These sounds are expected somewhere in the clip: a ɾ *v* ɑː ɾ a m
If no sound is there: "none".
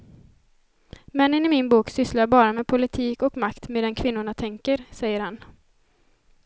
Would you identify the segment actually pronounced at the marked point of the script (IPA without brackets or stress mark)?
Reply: b